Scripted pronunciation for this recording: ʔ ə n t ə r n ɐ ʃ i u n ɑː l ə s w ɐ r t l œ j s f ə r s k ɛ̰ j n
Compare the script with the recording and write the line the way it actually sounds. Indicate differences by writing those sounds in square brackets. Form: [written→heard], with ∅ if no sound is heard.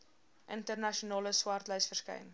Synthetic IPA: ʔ ə n t ə r n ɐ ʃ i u n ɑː l ə s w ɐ r t l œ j s f ə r s k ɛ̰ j n